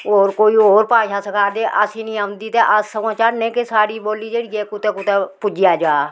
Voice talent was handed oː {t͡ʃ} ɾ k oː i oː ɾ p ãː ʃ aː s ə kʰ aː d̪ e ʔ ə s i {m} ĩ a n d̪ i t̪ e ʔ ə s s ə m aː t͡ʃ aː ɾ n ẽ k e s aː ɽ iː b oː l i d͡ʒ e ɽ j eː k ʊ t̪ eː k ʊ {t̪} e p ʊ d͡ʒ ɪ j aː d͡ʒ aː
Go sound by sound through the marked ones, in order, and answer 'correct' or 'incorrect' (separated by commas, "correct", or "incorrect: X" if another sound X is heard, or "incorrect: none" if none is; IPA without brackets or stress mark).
incorrect: none, incorrect: n, correct